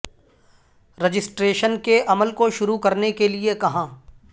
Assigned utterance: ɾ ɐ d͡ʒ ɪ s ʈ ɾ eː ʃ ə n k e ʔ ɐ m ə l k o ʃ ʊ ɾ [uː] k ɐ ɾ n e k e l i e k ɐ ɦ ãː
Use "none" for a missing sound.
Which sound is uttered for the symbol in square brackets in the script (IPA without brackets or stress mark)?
u